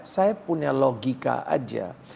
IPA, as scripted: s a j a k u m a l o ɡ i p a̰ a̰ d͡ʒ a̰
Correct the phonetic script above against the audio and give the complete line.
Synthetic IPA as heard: s a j a p u ɲ a l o ɡ i k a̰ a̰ d͡ʒ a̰